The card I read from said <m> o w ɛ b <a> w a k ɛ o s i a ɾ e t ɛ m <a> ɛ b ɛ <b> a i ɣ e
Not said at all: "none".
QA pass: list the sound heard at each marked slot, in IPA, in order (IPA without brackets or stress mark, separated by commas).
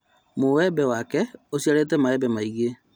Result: m, ɛ, a, m